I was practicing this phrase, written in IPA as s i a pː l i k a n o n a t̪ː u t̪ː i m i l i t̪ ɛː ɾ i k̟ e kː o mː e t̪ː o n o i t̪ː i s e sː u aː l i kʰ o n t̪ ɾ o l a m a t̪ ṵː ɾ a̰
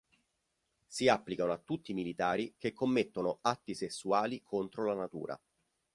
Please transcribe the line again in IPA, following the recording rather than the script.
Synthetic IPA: s i a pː l i k a n o a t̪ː u t̪ː i m i l i t̪ aː ɾ i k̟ e kː o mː e t̪ː o n o a t̪ː i s e sː u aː l i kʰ o n t̪ ɾ o l a n a t̪ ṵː ɾ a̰